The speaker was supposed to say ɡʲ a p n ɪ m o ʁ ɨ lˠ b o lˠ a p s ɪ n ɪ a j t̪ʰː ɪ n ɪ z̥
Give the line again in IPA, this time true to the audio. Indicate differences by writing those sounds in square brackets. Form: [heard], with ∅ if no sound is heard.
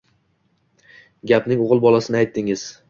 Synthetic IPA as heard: ɡʲ a p n ɪ [ŋ] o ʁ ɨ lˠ b [ɒ] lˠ a [∅] s ɪ n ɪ a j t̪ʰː ɪ [ŋ] ɪ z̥